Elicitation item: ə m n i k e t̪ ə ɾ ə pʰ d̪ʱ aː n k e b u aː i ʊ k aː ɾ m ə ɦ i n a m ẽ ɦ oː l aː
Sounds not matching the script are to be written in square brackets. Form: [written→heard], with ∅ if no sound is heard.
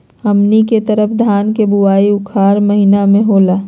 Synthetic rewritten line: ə m n i k e t̪ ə ɾ ə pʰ d̪ʱ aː n k e b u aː i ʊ [k→kʰ] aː ɾ m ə ɦ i n a m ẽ ɦ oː l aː